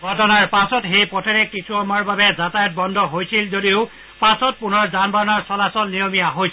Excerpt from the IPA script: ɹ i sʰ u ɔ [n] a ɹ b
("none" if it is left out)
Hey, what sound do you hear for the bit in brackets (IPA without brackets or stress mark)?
m